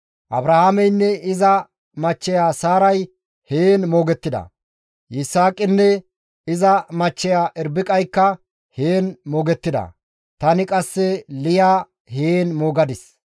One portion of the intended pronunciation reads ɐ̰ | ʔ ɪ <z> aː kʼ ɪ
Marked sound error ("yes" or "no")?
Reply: yes